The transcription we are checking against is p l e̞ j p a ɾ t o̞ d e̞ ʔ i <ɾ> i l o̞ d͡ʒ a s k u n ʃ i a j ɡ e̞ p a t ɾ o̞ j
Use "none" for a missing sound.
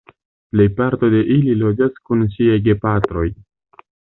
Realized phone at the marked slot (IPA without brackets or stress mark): l